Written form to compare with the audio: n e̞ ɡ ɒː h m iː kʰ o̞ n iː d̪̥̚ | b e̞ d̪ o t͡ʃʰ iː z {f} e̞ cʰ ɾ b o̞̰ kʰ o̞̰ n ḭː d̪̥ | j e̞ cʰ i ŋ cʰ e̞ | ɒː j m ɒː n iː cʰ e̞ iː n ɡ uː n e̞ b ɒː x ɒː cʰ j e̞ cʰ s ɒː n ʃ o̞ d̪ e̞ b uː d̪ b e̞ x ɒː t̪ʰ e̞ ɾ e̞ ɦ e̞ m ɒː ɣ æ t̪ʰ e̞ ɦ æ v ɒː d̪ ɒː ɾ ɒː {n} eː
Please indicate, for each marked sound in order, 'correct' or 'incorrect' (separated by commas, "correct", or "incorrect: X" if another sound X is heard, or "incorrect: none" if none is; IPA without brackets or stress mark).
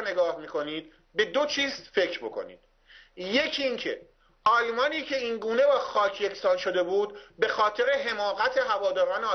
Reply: correct, correct